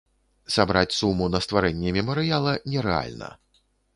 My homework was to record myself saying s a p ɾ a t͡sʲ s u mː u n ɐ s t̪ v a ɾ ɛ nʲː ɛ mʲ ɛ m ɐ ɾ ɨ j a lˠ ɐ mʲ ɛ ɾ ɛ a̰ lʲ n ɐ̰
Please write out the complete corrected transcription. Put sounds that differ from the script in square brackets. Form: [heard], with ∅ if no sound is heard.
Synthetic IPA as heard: s a [b] ɾ a t͡sʲ s u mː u n ɐ s t̪ v a ɾ ɛ nʲː ɛ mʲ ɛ m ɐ ɾ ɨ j a lˠ ɐ [nʲ] ɛ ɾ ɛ a̰ lʲ n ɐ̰